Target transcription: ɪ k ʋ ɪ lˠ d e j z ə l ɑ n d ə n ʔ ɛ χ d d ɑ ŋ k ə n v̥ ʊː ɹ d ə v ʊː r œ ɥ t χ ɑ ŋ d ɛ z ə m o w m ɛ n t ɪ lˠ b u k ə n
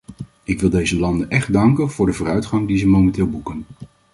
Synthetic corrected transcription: ɪ k ʋ ɪ lˠ d e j z ə l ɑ n d ə n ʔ ɛ χ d d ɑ ŋ k ə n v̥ ʊː ɹ d ə v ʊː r œ ɥ t χ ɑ ŋ d i z ə m o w m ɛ n t ɪː lˠ b u k ə n

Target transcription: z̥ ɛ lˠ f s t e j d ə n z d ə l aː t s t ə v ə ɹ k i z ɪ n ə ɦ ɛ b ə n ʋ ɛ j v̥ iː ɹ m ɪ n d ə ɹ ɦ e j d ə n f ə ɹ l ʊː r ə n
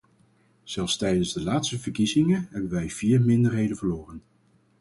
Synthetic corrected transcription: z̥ ɛ lˠ f s t ɛ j d ə n z d ə l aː t s t ə v ə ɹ k i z ɪ ŋ ə ɦ ɛ b ə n ʋ ɛ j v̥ iː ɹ m ɪ n d ə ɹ ɦ e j d ə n v ə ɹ l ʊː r ə n

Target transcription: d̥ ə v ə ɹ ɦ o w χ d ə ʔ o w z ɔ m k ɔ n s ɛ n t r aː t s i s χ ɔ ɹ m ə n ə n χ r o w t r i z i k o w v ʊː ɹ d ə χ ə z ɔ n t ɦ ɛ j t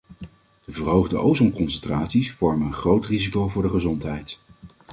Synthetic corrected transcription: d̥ ə v ə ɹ ɦ o w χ d ə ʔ o w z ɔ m k ɔ n s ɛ n t r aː t s i s f ɔ ɹ m ə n ə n χ r o w t r i z i k o w v ʊː ɹ d ə χ ə z ɔ n t ɦ ɛ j t

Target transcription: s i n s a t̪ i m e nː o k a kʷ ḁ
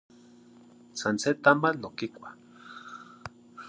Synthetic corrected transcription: s a n s e t̪ a m a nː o k i kʷ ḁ

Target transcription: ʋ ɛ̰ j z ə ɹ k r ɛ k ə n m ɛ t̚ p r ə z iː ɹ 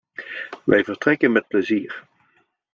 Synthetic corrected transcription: ʋ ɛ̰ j v ə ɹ t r ɛ k ə n m ɛ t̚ p l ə z iː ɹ

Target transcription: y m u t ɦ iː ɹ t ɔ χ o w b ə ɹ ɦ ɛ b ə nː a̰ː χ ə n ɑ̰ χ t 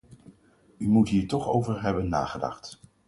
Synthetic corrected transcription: y m u t ɦ iː ɹ t ɔ χ o w v ə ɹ ɦ ɛ b ə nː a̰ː χ ə d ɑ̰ χ t

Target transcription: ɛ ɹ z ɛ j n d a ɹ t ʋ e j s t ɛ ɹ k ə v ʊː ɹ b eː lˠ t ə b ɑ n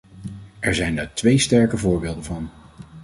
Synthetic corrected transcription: ɛ ɹ z ɛ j n d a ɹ t ʋ e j s t ɛ ɹ k ə v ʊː ɹ b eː lˠ d ə v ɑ n

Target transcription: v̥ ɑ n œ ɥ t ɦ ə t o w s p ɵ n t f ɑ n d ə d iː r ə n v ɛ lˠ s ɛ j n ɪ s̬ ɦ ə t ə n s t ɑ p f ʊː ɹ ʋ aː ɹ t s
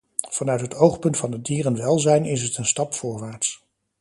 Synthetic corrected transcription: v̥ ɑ n œ ɥ t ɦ ə t o w χ p ɵ n t f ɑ n d ə d iː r ə n ʋ ɛ lˠ z ɛ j n ɪ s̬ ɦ ə t ə n s t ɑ p f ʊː ɹ ʋ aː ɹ t s

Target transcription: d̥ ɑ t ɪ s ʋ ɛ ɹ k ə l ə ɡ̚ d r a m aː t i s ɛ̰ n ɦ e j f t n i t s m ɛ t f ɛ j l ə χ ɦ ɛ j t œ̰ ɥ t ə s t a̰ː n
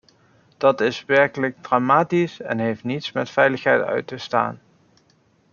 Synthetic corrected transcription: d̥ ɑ t ɪ s ʋ ɛ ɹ k ə l ə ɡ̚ d r a m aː t i s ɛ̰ n ɦ e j f t n i t s m ɛ t f ɛ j l ə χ ɦ ɛ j t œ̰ ɥ t ə s t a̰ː n

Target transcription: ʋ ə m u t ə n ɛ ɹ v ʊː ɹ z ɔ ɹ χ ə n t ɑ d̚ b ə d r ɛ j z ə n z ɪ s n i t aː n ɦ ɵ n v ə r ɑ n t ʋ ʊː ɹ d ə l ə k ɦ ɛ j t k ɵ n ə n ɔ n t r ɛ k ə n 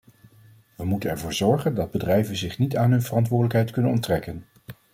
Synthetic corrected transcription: ʋ ə m u t ə n ɛ ɹ v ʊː ɹ z ɔ ɹ χ ə n d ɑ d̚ b ə d r ɛ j v ə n z ɪ χ n i t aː n ɦ ɵ n v ə r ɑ n t ʋ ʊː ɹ d ə l ə k ɦ ɛ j t k ɵ n ə n ɔ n t r ɛ k ə n

